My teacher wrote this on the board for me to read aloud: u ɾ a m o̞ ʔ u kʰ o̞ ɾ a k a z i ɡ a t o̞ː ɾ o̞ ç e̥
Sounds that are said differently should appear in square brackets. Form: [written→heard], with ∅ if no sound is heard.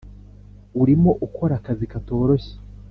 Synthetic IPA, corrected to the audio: u ɾ [a→i] m o̞ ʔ u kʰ o̞ ɾ a k a z i [ɡ→k] a t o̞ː ɾ o̞ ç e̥